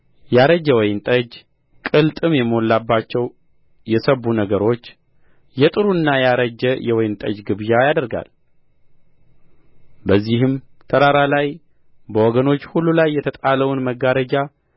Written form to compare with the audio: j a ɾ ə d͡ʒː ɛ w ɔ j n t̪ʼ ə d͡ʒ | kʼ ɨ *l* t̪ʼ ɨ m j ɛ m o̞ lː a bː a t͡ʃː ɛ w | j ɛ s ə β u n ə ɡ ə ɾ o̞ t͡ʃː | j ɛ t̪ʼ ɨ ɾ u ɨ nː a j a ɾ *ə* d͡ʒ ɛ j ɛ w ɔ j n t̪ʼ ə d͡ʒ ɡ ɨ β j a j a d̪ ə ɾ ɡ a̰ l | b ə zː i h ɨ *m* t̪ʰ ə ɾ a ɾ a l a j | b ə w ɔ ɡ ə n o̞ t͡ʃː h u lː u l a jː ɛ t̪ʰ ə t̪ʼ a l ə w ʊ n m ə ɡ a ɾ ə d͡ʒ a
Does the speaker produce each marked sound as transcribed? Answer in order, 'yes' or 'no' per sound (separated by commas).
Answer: yes, yes, yes